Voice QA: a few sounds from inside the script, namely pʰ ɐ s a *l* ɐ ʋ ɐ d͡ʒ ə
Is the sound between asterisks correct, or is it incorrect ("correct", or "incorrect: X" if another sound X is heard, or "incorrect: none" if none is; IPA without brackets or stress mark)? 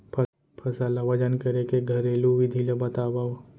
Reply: correct